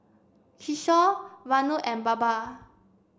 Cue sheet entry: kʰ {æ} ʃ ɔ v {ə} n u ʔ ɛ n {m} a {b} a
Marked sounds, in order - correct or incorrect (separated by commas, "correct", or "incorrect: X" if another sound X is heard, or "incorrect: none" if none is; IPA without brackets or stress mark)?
incorrect: i, incorrect: a, incorrect: b, correct